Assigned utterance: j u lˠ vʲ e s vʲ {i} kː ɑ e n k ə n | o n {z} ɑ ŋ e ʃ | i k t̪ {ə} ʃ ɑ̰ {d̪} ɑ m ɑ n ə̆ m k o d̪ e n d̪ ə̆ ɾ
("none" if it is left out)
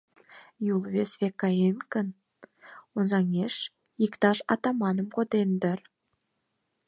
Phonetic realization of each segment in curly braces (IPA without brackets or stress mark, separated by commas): e, z, ɑ, t̪